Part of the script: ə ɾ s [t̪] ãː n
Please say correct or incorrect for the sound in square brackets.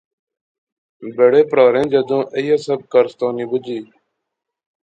correct